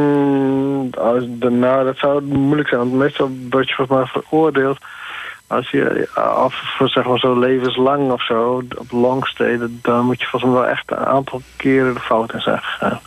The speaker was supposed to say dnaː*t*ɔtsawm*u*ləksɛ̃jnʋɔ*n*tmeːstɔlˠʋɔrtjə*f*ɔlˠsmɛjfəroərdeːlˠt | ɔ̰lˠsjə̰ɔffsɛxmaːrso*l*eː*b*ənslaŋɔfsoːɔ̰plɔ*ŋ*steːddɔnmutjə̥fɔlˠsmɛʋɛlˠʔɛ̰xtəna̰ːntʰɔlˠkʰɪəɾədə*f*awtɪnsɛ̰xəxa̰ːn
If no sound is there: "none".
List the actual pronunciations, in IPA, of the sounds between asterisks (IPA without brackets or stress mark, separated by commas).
d, u, n, f, l, v, ŋ, f